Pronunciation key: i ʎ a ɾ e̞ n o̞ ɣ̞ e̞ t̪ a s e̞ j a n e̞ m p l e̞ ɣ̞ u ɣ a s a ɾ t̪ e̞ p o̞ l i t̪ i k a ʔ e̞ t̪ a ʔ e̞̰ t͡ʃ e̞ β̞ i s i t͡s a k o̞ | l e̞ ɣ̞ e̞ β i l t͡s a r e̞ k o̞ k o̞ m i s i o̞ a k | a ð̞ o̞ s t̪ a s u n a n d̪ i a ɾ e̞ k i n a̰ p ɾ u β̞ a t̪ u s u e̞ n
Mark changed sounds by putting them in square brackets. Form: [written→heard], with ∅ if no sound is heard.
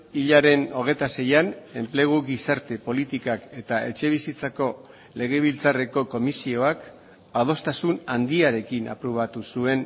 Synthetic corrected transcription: i ʎ a ɾ e̞ n o̞ ɣ̞ e̞ t̪ a s e̞ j a n e̞ m p l e̞ ɣ̞ u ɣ [a→i] s a ɾ t̪ e̞ p o̞ l i t̪ i k a [ʔ→k] e̞ t̪ a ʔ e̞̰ t͡ʃ e̞ β̞ i s i t͡s a k o̞ | l e̞ ɣ̞ e̞ β i l t͡s a r e̞ k o̞ k o̞ m i s i o̞ a k | a ð̞ o̞ s t̪ a s u n a n d̪ i a ɾ e̞ k i n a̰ p ɾ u β̞ a t̪ u s u e̞ n